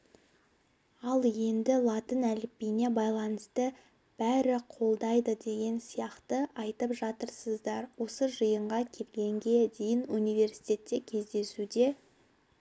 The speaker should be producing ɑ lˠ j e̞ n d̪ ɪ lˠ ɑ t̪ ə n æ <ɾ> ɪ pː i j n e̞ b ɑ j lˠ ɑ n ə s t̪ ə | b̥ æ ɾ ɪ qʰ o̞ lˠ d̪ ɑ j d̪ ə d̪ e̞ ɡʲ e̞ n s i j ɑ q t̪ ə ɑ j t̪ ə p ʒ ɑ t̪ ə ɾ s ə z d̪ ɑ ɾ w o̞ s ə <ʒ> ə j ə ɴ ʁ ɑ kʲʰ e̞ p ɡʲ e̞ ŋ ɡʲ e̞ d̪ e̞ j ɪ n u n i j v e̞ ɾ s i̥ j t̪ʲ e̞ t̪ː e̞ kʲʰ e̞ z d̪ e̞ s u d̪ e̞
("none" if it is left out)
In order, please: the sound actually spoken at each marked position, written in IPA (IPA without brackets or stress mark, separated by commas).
l, ʒ